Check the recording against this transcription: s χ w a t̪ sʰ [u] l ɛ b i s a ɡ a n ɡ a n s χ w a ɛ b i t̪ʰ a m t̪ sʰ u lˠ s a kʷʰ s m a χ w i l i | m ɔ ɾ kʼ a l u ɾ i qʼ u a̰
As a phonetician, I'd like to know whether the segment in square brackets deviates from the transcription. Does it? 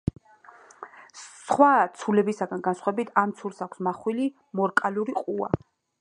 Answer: no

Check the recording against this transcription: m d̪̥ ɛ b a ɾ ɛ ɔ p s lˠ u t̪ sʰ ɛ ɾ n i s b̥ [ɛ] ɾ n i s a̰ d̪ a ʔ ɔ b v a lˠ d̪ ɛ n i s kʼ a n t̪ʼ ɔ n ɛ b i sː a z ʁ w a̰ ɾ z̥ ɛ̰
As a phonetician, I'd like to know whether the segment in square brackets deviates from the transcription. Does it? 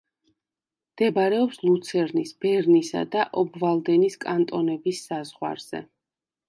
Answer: no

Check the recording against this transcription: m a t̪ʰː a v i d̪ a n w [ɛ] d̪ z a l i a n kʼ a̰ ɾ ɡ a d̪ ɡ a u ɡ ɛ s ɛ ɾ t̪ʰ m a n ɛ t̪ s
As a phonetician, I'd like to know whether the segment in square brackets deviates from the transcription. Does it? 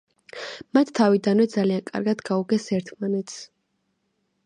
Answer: no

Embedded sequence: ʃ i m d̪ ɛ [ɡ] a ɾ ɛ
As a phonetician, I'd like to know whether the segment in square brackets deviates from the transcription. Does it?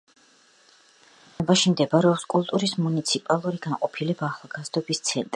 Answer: yes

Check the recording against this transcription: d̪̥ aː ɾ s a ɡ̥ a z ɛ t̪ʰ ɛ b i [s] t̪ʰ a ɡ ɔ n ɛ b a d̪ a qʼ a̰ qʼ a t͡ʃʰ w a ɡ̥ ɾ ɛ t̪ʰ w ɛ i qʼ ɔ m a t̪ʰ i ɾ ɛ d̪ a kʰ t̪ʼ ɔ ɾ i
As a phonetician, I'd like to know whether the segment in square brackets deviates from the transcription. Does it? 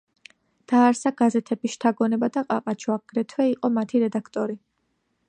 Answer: yes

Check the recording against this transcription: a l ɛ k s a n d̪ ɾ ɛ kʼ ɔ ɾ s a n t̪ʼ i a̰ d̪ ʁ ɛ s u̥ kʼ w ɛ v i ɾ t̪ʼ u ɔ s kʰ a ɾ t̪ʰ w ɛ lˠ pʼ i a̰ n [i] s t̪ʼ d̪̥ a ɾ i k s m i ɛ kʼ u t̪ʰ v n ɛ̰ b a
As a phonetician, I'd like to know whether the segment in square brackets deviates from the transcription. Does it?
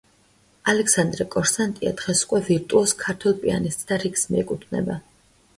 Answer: no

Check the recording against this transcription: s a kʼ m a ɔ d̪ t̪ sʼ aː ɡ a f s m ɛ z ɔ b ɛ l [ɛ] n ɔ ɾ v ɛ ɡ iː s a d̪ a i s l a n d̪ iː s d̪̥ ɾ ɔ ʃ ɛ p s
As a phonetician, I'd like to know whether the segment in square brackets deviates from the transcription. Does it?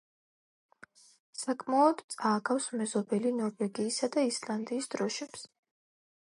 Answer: yes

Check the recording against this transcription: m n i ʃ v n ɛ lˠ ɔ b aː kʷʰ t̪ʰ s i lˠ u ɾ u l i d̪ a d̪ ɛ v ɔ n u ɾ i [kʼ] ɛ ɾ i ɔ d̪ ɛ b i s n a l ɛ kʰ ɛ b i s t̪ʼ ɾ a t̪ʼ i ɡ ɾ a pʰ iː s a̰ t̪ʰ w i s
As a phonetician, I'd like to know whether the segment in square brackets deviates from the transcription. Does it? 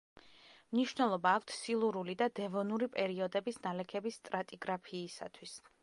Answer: yes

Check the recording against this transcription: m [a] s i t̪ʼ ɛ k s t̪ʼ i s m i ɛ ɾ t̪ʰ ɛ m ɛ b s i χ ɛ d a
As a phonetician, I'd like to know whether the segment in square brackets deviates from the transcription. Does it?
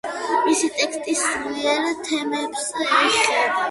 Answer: yes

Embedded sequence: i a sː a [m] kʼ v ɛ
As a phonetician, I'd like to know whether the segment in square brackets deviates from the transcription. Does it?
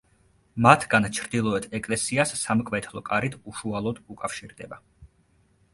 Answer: no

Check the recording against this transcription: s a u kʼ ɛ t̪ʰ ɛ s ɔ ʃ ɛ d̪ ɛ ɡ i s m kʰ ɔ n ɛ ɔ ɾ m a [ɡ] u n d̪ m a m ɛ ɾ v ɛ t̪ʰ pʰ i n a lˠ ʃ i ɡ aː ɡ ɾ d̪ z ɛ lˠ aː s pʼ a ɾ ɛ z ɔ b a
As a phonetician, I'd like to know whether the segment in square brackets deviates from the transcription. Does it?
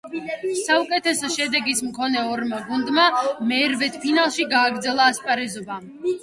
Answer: no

